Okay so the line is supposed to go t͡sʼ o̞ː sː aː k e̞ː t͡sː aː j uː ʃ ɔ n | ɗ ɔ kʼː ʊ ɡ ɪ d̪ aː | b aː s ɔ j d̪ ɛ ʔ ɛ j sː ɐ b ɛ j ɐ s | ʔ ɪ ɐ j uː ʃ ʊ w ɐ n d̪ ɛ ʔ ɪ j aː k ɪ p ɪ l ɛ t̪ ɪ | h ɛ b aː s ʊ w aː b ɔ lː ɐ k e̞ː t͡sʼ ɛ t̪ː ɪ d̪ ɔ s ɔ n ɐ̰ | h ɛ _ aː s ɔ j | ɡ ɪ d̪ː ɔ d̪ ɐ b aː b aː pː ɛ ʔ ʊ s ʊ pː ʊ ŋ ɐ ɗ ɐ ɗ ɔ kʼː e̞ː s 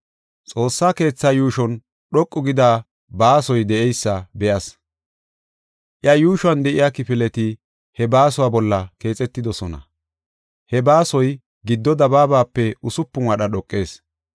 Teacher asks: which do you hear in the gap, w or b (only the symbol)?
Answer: b